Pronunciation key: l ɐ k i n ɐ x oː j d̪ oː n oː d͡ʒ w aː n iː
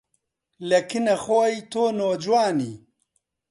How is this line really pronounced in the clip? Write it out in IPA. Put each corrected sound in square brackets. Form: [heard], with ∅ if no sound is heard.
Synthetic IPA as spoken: l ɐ k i n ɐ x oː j [t̪] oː n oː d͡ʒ w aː n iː